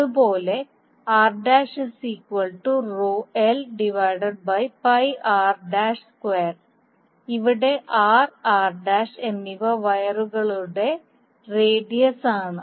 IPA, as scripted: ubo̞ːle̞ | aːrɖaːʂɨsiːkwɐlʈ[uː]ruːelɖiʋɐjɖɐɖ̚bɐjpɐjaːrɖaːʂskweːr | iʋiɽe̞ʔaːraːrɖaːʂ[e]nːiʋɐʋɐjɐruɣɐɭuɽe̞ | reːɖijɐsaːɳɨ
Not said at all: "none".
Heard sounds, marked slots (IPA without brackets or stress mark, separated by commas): u, e